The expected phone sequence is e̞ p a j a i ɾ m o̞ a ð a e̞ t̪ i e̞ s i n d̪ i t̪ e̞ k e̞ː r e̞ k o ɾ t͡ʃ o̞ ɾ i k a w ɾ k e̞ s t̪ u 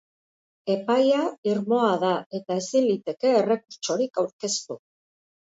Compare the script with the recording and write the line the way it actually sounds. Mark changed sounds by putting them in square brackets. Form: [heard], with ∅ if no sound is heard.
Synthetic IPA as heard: e̞ p a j a i ɾ m o̞ a ð a e̞ t̪ [a] e̞ s i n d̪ i t̪ e̞ k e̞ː r e̞ k [u] ɾ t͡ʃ o̞ ɾ i k a w ɾ k e̞ s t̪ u